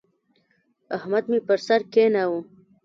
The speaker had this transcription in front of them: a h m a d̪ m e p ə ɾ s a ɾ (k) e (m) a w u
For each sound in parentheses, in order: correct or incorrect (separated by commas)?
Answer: correct, incorrect